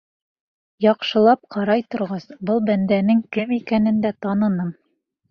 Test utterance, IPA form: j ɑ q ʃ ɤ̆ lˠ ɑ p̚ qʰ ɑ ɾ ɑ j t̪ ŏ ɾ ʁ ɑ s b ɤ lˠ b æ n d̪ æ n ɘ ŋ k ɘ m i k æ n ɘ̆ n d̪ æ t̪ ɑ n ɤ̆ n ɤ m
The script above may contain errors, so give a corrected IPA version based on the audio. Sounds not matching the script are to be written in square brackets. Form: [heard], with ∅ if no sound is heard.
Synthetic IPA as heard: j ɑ q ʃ ɤ̆ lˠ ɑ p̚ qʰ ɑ ɾ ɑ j t̪ ŏ ɾ ʁ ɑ s b ɤ lˠ b æ n d̪ æ n ɘ ŋ k ɘ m i k æ n ɘ̆ n d̪ æ t̪ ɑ n ɤ̆ n ɤ m